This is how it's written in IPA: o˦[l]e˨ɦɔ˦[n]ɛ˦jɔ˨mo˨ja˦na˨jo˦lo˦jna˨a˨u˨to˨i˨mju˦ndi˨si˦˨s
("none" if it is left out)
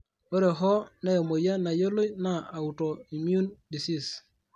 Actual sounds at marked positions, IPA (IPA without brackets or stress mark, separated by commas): ɾ, n